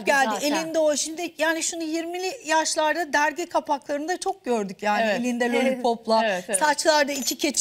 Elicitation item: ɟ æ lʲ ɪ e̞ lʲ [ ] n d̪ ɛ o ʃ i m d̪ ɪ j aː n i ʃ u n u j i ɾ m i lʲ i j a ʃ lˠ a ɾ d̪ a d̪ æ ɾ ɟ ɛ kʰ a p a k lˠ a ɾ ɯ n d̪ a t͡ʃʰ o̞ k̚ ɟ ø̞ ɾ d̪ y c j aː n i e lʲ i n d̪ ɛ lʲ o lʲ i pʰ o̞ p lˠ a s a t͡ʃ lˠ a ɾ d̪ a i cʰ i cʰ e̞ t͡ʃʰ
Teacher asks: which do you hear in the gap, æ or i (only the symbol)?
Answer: i